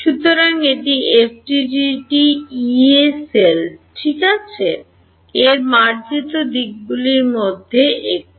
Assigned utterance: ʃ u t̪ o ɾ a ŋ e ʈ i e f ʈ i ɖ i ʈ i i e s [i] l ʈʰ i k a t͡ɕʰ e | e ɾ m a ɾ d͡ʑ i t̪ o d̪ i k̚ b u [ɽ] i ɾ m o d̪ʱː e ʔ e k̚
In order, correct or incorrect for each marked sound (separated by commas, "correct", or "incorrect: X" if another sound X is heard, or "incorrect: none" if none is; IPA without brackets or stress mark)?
incorrect: e, incorrect: l